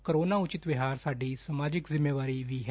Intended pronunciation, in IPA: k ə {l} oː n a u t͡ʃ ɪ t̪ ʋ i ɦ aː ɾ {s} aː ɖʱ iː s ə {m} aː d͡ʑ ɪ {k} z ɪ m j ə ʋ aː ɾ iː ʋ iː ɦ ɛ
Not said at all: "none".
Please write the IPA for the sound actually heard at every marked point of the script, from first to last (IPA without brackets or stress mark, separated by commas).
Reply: ɾ, s, m, k